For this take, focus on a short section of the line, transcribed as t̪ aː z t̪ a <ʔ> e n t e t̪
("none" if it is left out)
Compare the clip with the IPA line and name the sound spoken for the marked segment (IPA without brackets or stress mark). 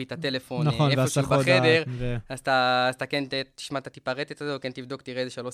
k